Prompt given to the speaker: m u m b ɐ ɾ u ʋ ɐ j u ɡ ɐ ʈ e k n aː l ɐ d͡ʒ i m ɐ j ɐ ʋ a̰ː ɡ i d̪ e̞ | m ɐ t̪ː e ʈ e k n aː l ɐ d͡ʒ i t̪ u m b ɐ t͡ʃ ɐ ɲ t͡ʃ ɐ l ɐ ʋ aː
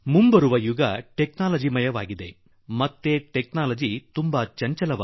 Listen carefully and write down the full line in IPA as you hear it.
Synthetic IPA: m u m b ɐ ɾ u ʋ ɐ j u ɡ ɐ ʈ e k n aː l ɐ d͡ʒ i m ɐ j ɐ ʋ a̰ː ɡ i d̪ e̞ | m ɐ t̪ː e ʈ e k n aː l ɐ d͡ʒ i t̪ u m b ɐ t͡ʃ ɐ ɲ t͡ʃ ɐ l ɐ ʋ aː